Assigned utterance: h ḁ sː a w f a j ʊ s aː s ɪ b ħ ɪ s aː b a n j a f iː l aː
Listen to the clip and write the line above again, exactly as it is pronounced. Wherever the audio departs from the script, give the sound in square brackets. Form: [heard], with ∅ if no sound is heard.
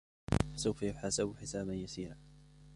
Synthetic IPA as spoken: [f] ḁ [s] a w f a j ʊ [ħ] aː s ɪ b ħ ɪ s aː b a n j a [s] iː [ɾ] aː